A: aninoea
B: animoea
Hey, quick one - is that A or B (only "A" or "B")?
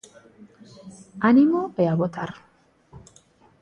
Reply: B